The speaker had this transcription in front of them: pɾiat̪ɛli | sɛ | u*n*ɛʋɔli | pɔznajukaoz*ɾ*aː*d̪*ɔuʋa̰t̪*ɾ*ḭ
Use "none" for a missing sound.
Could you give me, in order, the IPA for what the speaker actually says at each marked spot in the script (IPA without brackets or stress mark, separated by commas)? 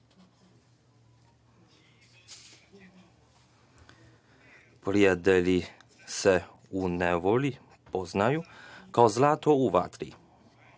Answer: n, l, t̪, ɾ